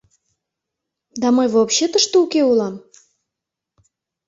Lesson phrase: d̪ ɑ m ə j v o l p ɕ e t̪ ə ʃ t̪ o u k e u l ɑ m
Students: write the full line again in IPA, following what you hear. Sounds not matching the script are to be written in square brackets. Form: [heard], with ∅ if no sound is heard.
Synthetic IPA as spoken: d̪ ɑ m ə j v o [∅] p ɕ e t̪ ə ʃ t̪ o u k e u l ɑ m